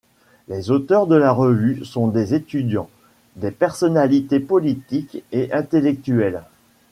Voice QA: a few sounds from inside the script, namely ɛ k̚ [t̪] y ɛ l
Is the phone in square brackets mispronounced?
no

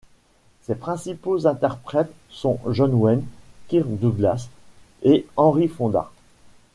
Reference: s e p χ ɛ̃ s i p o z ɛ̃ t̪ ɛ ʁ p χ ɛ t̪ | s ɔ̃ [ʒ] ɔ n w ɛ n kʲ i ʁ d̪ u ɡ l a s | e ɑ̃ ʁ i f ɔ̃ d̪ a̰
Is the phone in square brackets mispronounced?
no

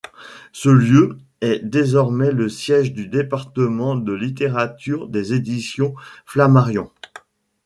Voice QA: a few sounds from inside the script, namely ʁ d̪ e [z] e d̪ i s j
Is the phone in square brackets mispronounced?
no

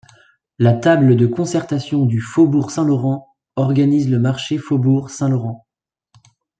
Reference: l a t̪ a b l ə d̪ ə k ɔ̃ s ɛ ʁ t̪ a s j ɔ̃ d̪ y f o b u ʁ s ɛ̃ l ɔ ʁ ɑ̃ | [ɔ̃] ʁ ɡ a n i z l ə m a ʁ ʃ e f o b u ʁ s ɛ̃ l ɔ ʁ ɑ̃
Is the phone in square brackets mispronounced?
yes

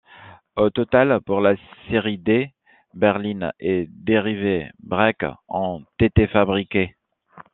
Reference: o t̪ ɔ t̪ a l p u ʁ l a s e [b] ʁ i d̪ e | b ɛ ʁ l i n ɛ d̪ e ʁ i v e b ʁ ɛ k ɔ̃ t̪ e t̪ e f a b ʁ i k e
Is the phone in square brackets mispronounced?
yes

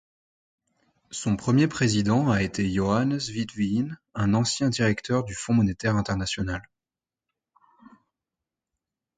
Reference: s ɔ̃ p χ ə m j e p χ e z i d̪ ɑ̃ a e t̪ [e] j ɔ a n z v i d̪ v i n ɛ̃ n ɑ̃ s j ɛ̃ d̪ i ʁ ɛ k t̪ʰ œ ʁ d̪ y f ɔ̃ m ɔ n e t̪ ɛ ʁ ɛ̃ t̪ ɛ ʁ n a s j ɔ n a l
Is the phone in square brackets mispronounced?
no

